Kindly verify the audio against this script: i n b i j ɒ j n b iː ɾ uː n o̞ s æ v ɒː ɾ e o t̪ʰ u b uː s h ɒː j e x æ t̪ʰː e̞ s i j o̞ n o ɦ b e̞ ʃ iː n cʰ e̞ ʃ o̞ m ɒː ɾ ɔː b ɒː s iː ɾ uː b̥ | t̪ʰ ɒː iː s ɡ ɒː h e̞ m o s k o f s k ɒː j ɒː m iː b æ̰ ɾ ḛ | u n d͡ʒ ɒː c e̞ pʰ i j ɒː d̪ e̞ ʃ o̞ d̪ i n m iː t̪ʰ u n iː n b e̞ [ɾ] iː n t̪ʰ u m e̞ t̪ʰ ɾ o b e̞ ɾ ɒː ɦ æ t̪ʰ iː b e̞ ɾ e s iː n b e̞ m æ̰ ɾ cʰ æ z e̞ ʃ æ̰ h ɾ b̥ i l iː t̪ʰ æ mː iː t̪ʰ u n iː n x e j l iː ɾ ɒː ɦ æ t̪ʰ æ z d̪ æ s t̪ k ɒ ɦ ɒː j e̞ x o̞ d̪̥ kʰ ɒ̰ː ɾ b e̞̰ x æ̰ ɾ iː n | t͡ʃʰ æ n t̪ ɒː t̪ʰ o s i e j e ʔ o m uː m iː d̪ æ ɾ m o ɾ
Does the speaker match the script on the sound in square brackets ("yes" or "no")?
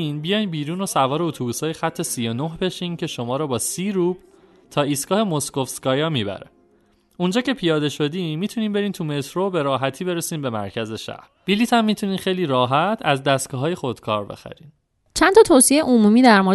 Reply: yes